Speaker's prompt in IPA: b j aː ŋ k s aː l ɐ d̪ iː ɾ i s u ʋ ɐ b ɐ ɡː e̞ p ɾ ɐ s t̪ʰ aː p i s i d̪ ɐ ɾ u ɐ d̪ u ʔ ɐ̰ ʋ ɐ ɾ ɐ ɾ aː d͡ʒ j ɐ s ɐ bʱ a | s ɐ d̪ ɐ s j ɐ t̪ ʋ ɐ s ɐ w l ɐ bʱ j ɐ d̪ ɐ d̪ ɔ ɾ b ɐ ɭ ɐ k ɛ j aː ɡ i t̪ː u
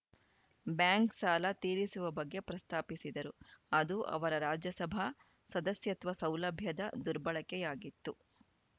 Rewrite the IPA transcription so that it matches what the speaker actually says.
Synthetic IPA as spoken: b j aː ŋ k s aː l ɐ t̪ iː ɾ i s u ʋ ɐ b ɐ ɡː e̞ p ɾ ɐ s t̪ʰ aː p i s i d̪ ɐ ɾ u ɐ d̪ u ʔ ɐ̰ ʋ ɐ ɾ ɐ ɾ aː d͡ʒ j ɐ s ɐ bʱ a | s ɐ d̪ ɐ s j ɐ t̪ ʋ ɐ s ɐ w l ɐ bʱ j ɐ d̪ ɐ d̪ u ɾ b ɐ ɭ ɐ k ɛ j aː ɡ i t̪ː u